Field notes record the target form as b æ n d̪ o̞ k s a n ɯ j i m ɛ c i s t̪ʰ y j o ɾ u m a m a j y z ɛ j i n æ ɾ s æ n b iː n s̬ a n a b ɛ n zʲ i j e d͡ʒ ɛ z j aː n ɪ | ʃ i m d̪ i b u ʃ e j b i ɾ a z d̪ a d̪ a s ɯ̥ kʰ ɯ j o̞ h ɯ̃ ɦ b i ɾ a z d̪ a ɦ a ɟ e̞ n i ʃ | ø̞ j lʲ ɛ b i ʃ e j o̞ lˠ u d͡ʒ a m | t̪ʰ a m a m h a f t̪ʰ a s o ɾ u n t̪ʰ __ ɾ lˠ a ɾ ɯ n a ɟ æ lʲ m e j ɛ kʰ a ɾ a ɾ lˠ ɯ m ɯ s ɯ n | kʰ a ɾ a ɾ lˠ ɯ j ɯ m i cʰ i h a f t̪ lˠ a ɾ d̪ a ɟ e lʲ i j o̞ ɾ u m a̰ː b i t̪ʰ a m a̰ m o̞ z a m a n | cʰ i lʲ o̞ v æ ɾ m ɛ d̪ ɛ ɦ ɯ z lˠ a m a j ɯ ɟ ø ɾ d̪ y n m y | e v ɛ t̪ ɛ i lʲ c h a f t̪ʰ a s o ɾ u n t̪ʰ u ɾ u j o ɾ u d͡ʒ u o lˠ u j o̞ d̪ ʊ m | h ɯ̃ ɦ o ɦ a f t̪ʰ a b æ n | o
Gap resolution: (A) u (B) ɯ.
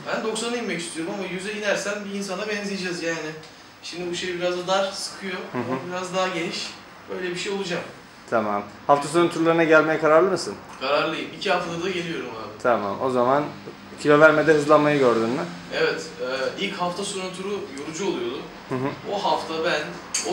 A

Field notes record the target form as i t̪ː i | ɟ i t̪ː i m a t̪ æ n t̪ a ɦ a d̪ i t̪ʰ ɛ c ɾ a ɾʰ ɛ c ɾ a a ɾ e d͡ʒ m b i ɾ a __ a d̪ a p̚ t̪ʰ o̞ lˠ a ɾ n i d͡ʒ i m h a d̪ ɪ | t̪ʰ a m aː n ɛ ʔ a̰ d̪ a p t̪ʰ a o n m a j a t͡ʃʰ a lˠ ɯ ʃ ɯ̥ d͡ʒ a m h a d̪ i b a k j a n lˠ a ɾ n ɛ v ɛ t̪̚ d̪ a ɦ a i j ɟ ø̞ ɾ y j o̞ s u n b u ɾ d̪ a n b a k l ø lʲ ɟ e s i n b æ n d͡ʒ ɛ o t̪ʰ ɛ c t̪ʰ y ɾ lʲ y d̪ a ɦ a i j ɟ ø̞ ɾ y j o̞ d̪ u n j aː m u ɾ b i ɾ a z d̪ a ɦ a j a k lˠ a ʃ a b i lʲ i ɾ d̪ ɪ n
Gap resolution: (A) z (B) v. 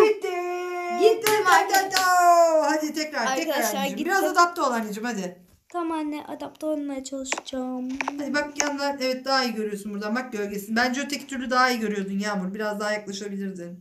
A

